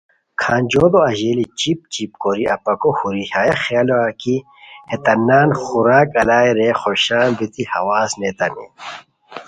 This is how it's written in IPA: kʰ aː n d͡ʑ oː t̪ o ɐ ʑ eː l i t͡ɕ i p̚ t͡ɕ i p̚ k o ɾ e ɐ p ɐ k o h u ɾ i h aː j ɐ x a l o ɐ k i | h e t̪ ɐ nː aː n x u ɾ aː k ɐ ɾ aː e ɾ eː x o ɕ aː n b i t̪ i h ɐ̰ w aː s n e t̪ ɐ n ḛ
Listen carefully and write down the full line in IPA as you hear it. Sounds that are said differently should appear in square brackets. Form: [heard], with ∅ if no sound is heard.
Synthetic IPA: kʰ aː n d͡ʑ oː [d̪] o ɐ ʑ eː l i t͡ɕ i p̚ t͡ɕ i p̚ k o ɾ [i] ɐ p ɐ k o h u ɾ i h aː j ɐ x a l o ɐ k i | h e t̪ ɐ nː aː n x u ɾ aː k ɐ [l] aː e ɾ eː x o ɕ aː n b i t̪ i h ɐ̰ w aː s n e t̪ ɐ n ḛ